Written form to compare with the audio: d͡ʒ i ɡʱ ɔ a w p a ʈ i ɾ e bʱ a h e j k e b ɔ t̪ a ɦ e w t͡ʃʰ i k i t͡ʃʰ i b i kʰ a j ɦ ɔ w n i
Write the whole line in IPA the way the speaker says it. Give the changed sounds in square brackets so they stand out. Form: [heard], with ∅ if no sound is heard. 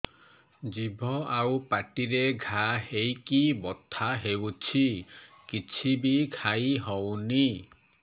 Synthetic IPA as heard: d͡ʒ i [bʱ] ɔ a w p a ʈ i ɾ e [ɡʱ] a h e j k [i] b ɔ [t̪ʰ] a ɦ e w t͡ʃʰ i k i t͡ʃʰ i b i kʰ a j ɦ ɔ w n i